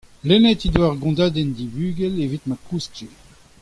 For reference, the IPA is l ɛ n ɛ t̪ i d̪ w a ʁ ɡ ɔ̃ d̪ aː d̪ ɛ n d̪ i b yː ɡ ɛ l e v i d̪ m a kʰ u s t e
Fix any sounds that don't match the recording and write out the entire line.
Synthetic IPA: l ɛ n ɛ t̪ i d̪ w a ʁ ɡ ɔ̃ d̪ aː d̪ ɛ n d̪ i b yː ɡ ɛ l e v i t̪ m a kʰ u s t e